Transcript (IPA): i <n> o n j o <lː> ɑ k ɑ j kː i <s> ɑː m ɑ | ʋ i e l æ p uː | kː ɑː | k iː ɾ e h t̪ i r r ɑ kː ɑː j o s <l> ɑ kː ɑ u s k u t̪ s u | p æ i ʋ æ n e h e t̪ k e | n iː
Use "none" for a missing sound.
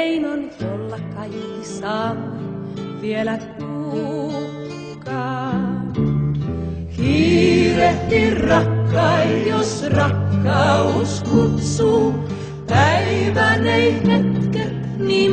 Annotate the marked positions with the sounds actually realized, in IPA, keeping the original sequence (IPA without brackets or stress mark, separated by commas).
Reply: n, lː, s, r